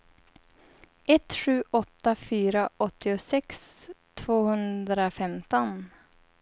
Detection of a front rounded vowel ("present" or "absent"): present